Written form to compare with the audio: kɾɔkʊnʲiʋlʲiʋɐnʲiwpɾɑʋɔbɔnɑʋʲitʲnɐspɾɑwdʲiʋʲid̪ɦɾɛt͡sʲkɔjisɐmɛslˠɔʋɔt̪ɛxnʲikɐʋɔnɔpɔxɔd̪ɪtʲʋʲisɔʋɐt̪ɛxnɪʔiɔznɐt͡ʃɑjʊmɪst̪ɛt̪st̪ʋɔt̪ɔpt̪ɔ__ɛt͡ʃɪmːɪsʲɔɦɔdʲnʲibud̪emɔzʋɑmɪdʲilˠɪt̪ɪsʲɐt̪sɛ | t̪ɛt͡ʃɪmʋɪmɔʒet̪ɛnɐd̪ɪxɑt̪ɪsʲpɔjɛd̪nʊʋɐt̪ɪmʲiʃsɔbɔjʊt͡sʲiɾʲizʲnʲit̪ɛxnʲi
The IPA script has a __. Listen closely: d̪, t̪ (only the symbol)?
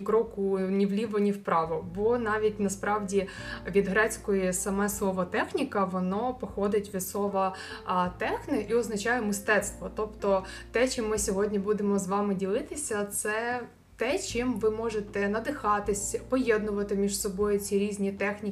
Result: t̪